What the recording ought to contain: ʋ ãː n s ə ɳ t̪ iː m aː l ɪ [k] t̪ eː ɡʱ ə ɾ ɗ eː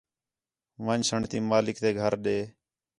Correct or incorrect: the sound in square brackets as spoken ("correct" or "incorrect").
correct